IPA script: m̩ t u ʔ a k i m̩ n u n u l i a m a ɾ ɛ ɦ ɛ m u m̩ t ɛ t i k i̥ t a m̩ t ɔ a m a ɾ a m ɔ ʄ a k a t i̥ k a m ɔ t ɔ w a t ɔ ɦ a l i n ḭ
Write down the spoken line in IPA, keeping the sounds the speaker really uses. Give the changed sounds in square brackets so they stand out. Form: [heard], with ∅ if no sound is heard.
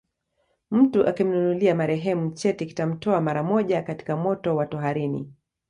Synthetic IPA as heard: m̩ t u ʔ a k i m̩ n u n u l i a m a ɾ ɛ ɦ ɛ m u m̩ [t͡ʃ] ɛ t i k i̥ t a m̩ t ɔ a m a ɾ a m ɔ ʄ a k a t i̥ k a m ɔ t ɔ w a t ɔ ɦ a [ɾ] i n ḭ